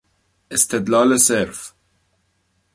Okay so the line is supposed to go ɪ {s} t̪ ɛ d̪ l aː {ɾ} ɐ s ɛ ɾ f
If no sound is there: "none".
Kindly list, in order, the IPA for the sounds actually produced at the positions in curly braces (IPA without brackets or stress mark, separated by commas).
s, l